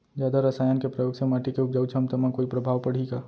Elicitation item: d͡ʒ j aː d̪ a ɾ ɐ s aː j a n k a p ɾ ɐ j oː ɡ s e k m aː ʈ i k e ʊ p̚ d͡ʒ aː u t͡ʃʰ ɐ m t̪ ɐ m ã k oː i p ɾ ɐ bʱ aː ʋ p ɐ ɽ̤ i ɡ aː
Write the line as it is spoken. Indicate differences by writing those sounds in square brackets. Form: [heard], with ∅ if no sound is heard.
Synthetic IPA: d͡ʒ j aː d̪ a ɾ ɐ s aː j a n k [e] p ɾ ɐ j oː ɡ s e [∅] m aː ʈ i k e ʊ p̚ d͡ʒ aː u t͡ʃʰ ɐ m t̪ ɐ m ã k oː i p ɾ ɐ bʱ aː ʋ p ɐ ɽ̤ i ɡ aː